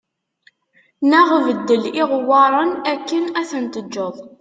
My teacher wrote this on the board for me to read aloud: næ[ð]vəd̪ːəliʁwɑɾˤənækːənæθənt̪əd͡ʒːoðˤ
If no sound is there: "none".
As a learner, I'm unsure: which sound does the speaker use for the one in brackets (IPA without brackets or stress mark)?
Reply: ʁ